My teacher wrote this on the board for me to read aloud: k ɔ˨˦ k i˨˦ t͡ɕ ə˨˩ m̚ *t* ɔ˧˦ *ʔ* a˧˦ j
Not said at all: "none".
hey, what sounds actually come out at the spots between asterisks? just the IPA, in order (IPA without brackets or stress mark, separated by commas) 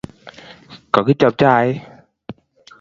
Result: t͡ɕ, ʔ